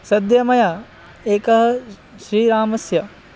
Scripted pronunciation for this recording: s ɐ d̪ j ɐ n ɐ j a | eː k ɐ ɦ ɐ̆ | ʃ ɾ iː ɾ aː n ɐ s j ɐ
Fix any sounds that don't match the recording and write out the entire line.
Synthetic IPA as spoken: s ɐ d̪ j ɐ m ɐ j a | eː k ɐ ɦ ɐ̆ | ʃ ɾ iː ɾ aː m ɐ s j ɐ